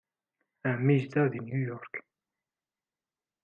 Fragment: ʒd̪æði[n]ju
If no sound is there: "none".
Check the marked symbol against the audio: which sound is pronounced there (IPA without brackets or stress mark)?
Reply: n